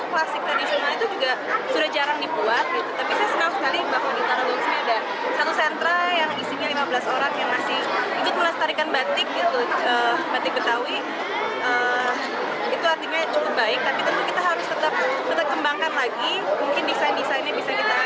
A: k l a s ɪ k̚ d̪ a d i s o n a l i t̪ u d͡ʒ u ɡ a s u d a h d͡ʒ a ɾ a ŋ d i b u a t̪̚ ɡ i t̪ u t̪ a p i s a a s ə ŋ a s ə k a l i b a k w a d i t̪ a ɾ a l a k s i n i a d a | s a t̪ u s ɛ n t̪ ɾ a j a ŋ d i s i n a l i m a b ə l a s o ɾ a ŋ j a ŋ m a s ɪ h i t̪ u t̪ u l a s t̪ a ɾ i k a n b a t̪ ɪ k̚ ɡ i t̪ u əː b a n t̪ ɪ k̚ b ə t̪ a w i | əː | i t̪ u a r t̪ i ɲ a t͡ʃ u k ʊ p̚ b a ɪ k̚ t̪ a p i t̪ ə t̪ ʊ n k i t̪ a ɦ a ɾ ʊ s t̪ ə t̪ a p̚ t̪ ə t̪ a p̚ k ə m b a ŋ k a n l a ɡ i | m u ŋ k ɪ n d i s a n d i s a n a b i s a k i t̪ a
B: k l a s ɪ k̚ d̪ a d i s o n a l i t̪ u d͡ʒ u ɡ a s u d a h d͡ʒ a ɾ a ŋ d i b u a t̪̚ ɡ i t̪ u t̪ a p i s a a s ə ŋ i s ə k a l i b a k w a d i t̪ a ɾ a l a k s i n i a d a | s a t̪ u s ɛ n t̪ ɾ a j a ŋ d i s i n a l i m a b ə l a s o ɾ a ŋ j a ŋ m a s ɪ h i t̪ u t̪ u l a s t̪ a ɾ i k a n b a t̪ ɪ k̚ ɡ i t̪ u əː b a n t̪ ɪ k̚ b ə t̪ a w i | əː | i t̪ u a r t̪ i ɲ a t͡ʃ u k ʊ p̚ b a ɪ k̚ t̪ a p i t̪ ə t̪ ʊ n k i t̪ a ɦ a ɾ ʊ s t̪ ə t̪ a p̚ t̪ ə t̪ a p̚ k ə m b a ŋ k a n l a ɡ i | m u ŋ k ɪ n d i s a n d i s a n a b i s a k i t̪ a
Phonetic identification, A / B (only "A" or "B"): A